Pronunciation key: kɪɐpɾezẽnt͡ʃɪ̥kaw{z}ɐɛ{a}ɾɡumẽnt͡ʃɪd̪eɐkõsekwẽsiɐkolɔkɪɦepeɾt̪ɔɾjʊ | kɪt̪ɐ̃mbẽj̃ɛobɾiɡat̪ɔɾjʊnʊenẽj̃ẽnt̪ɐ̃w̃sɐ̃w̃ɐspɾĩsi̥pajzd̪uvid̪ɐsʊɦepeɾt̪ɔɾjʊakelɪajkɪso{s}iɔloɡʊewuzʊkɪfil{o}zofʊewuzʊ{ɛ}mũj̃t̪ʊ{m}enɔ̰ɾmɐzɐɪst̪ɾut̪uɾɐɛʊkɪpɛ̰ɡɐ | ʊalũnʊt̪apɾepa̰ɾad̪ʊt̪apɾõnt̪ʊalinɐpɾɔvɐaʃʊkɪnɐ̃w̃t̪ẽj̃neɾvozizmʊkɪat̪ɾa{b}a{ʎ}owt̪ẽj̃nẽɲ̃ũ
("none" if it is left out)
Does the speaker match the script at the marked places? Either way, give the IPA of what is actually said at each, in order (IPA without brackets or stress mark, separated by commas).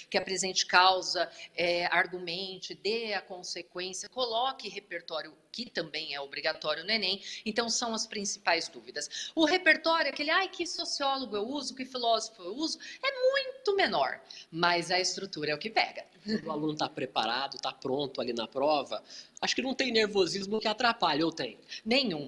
z, a, s, ɔ, ɛ, m, p, ʎ